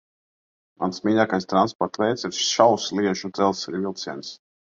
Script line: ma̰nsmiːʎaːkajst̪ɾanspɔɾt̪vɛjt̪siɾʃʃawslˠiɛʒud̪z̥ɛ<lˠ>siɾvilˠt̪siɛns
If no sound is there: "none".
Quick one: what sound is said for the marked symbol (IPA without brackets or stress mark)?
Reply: lˠ